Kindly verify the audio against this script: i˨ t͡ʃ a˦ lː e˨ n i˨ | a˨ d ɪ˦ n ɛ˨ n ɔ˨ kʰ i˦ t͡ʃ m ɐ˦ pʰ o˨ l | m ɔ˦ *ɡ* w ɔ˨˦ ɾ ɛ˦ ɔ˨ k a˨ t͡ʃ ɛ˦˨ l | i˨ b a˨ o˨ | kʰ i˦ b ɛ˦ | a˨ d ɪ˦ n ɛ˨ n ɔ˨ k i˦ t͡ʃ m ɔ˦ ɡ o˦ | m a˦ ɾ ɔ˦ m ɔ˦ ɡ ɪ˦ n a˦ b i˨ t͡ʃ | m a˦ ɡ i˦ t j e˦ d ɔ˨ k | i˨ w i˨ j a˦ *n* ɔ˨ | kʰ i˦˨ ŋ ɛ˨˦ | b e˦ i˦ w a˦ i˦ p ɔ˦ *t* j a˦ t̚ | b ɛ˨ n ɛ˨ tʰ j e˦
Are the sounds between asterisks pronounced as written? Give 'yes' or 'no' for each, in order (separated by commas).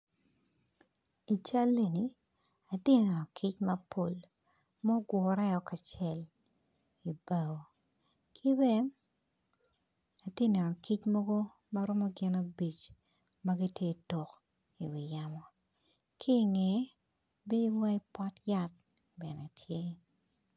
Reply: yes, no, yes